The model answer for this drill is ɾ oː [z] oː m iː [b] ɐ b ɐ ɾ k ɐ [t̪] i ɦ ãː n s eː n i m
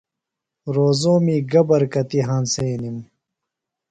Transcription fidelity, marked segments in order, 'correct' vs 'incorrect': correct, incorrect: ɡ, correct

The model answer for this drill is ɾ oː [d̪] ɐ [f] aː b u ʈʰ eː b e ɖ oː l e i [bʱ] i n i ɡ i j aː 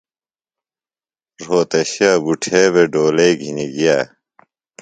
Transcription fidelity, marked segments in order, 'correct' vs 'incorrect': incorrect: t̪, incorrect: ɕ, incorrect: ɡʱ

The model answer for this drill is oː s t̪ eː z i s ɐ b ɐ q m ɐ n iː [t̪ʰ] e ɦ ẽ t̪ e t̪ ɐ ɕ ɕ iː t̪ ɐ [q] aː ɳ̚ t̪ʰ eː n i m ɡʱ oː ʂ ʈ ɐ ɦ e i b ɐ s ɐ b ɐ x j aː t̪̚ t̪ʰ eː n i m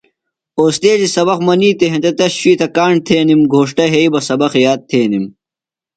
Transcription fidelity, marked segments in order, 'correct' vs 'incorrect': incorrect: t̪, incorrect: k

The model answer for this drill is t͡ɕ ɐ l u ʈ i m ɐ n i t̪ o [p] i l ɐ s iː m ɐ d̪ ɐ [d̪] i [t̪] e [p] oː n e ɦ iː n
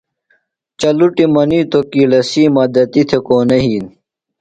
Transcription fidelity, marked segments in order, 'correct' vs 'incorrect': incorrect: k, incorrect: t̪, incorrect: t̪ʰ, incorrect: k

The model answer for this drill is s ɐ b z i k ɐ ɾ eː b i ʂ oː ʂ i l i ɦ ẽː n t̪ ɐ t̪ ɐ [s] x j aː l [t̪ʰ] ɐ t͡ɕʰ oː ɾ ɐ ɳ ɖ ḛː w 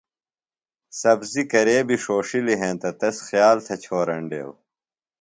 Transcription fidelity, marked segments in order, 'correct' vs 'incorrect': correct, correct

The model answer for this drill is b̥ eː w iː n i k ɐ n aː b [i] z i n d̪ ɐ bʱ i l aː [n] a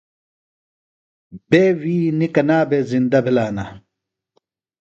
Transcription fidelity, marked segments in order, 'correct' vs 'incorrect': incorrect: e, correct

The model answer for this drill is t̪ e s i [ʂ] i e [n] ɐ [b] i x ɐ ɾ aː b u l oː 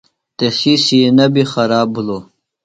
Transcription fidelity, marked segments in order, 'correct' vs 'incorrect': incorrect: s, correct, correct

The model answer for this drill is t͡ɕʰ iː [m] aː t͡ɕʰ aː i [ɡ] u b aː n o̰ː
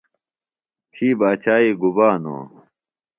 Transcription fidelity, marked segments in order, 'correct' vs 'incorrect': incorrect: b, correct

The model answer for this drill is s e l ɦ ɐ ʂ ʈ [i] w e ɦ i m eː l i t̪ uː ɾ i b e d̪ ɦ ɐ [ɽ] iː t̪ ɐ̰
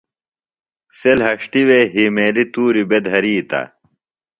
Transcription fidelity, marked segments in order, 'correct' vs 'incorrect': correct, incorrect: ɾ

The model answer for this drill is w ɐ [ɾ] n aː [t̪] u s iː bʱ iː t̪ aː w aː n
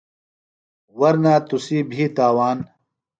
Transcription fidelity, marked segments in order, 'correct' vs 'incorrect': correct, correct

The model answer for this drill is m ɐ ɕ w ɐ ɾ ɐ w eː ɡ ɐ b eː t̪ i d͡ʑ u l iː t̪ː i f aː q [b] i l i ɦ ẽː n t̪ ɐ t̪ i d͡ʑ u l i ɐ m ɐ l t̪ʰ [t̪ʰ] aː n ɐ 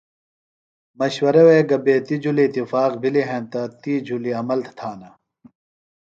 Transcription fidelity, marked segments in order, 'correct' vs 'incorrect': correct, correct

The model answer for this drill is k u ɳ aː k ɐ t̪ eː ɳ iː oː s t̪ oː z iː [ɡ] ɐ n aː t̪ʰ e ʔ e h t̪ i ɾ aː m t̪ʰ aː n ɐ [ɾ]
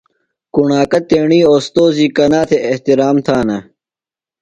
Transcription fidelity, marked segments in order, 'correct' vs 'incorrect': incorrect: k, incorrect: none

